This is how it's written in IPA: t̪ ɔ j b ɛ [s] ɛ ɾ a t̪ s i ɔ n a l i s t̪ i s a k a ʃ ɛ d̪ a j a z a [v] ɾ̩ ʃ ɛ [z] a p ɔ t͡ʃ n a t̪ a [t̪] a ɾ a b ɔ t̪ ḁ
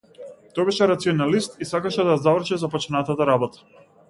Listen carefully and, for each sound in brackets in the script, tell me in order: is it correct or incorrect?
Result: incorrect: ʃ, correct, correct, correct

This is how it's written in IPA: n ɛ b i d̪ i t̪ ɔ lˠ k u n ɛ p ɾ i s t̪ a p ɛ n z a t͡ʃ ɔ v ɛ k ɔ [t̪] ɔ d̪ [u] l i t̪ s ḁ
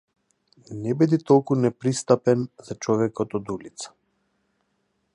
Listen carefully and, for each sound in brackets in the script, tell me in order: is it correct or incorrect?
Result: correct, correct

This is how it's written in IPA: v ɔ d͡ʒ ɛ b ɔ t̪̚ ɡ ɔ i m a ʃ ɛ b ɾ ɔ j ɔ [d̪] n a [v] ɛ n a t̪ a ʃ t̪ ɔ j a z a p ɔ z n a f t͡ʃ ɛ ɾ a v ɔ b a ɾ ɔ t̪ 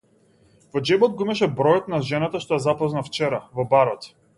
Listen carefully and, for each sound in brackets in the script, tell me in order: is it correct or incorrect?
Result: incorrect: t̪, incorrect: ʒ

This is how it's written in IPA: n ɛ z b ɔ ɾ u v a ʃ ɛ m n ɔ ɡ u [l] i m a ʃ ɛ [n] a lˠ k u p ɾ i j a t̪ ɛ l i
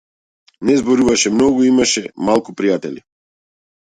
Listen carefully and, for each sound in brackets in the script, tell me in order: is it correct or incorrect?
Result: incorrect: none, incorrect: m

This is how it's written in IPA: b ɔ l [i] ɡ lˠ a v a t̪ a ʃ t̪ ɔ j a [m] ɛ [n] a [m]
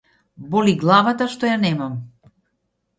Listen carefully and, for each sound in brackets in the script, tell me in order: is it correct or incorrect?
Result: correct, incorrect: n, incorrect: m, correct

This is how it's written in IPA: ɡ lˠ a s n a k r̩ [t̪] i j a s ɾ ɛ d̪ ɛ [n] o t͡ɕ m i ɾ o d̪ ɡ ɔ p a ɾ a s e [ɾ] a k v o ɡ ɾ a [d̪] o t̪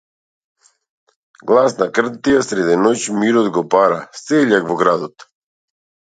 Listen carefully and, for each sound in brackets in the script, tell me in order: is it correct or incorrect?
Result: correct, correct, incorrect: ʎ, correct

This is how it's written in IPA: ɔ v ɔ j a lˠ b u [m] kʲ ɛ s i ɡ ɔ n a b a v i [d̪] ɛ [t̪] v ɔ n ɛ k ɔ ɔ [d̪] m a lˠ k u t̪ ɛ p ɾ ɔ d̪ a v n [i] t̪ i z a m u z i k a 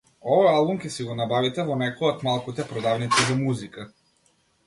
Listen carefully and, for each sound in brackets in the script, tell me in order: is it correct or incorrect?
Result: correct, incorrect: t̪, incorrect: none, incorrect: t̪, correct

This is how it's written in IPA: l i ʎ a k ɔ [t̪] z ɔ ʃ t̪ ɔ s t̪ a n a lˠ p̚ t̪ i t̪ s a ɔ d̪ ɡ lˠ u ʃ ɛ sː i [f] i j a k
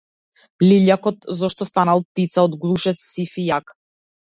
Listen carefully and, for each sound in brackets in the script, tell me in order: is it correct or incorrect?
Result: correct, correct

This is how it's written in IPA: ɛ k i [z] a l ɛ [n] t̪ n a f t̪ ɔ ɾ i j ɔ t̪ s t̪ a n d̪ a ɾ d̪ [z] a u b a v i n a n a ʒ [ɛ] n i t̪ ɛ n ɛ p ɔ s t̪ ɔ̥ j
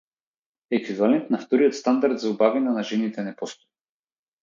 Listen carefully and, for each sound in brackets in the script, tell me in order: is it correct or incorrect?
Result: incorrect: v, correct, correct, correct

